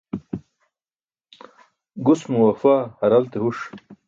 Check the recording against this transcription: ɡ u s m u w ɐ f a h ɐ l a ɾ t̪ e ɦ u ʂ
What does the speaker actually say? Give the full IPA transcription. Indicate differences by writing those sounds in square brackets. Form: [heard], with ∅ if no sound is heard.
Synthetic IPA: ɡ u s m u w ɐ f a h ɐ [ɾ] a [l] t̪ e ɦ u ʂ